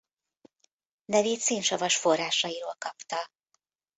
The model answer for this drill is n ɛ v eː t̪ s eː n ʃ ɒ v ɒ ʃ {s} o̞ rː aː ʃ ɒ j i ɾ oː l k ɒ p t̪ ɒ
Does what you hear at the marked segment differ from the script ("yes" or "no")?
yes